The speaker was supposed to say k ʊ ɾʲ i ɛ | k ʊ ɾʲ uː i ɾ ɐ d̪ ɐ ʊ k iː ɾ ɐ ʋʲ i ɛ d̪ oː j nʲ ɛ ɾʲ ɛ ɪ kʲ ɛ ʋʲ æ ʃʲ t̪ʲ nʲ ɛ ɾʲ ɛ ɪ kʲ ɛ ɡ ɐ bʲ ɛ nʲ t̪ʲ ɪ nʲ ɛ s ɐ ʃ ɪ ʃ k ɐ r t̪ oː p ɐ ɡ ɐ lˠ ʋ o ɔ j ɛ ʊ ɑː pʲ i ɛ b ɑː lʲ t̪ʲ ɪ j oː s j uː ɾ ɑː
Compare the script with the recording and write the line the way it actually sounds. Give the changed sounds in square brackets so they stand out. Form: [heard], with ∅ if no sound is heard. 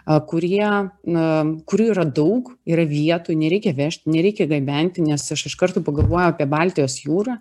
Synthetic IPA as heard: k ʊ ɾʲ i ɛ | k ʊ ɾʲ uː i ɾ ɐ d̪ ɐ ʊ k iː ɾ ɐ ʋʲ i ɛ [t̪] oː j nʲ ɛ ɾʲ ɛ ɪ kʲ ɛ ʋʲ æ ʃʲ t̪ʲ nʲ ɛ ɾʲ ɛ ɪ kʲ ɛ ɡ ɐ bʲ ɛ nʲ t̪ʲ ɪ nʲ ɛ s ɐ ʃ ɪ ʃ k ɐ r t̪ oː p ɐ ɡ ɐ lˠ ʋ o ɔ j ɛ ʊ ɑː pʲ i ɛ b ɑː lʲ t̪ʲ ɪ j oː s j uː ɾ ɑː